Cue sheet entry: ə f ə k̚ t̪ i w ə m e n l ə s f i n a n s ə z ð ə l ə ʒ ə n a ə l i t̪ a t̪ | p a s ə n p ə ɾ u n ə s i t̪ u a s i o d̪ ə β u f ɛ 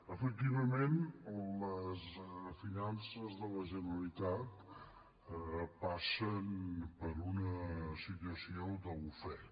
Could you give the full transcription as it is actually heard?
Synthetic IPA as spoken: ə f ə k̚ t̪ i β ə m e n l ə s f i n a n s ə z ð ə l ə ʒ ə n ə ə l i t̪ a t̪ | p a s ə n p ə ɾ u n ə s i t̪ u ə s i o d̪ ə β u f ɛ